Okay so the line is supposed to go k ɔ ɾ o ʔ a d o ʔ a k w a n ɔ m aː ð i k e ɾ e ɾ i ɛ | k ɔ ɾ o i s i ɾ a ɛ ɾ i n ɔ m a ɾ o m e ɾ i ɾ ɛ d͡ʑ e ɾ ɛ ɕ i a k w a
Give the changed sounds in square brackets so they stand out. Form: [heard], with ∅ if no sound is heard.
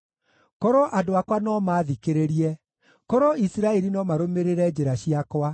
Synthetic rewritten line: k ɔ ɾ o ʔ a d o [∅] a k w a n ɔ m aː ð i k e ɾ e ɾ i ɛ | k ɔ ɾ o i s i ɾ a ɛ ɾ i n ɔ m a ɾ o m e ɾ [e] ɾ ɛ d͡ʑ e ɾ [a] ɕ i a k w a

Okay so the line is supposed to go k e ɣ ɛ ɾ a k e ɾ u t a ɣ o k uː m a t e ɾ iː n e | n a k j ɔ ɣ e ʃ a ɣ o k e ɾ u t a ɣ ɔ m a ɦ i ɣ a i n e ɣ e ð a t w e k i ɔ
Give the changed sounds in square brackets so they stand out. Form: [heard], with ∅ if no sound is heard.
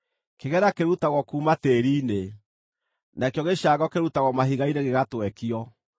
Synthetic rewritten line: k e ɣ ɛ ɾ a k e ɾ u t a ɣ [ɔ] k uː m a t e ɾ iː n e | n a k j ɔ ɣ e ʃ a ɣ [ɔ] k e ɾ u t a ɣ ɔ m a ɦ i ɣ a i n e ɣ e [ɣ] a t w [ɛ] k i ɔ

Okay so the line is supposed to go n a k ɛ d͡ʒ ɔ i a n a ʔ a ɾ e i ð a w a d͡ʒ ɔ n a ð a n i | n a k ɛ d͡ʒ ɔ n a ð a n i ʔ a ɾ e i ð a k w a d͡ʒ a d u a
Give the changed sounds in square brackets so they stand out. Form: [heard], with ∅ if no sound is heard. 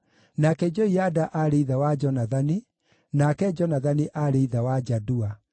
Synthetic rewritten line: n a k ɛ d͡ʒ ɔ i a [d] a ʔ a ɾ e i ð a w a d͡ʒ ɔ n a ð a n i | n a k ɛ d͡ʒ ɔ n a ð a n i ʔ a ɾ e i ð a [∅] w a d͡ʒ a d u a

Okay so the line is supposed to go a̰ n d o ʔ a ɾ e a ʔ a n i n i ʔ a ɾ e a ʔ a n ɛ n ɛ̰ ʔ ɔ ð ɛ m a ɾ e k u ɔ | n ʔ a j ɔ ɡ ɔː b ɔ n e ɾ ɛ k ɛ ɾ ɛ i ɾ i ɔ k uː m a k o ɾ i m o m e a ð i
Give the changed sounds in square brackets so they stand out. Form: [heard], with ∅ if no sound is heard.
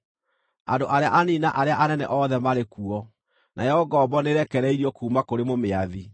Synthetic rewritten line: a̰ n d o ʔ a ɾ e a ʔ a n i n [a] ʔ a ɾ e a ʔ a n ɛ n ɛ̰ ʔ ɔ ð ɛ m a ɾ e k u ɔ | n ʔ a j ɔ ɡ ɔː b ɔ n e ɾ ɛ k ɛ ɾ ɛ i ɾ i ɔ k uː m a k o ɾ [e] m o m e a ð i

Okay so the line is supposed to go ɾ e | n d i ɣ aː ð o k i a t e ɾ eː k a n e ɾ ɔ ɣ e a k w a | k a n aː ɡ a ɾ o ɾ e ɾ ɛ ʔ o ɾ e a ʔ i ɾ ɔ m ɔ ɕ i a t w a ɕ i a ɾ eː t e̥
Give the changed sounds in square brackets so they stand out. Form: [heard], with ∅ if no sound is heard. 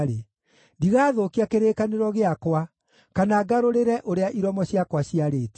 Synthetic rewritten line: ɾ e | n d i ɣ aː ð o k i a [k] e ɾ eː k a n e ɾ ɔ ɣ e a k w a | k a n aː ɡ a ɾ o ɾ e ɾ ɛ ʔ o ɾ e a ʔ i ɾ ɔ m ɔ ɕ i a [k] w a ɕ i a ɾ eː t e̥

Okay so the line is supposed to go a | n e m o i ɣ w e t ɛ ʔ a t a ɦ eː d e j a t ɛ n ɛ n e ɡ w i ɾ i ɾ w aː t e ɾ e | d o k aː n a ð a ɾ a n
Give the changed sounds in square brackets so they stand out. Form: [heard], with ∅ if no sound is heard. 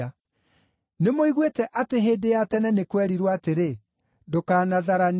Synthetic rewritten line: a | n e m o i ɣ w e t ɛ ʔ a t [e] ɦ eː d e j a t ɛ n ɛ n e [k] w [ɛ] ɾ i ɾ w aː t e ɾ e | d o k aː n a ð a ɾ a n

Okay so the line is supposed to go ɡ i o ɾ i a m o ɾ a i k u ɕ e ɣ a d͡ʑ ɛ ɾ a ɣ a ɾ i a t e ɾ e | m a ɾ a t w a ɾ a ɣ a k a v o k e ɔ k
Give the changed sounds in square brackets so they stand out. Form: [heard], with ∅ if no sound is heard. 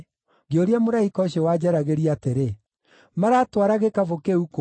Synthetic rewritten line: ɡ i o ɾ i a m o ɾ a i k [ɔ] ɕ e [w] a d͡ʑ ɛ ɾ a ɣ [e] ɾ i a t e ɾ e | m a ɾ a t w a ɾ a ɣ [e] k a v o k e [u] k

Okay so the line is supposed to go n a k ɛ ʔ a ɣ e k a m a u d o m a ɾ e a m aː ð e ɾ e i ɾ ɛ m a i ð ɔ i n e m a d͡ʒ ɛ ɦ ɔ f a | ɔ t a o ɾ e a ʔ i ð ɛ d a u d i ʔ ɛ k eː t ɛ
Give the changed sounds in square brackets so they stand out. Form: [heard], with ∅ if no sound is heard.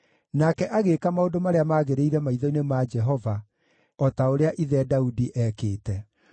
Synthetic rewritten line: n a k ɛ ʔ a ɣ e k a m a [o] d o m a ɾ e a m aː [ɣ] e ɾ e i ɾ ɛ m a i ð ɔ i n e m a d͡ʒ ɛ ɦ ɔ [v] a | ɔ t a o ɾ e a ʔ i ð ɛ d a u d i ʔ ɛ k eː t ɛ

